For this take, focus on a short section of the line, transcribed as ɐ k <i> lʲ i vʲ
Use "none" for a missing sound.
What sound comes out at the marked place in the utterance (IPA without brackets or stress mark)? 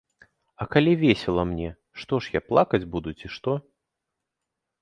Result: a